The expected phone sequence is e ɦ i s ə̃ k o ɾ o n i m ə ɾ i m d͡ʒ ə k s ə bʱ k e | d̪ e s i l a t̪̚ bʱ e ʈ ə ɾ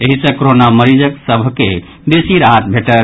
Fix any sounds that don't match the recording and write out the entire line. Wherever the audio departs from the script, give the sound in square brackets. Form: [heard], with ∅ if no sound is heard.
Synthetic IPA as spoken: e ɦ i s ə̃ k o ɾ o n [a] m ə ɾ i [∅] d͡ʒ ə k s ə bʱ k e | d̪ e s i [ɾ] a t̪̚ bʱ e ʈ ə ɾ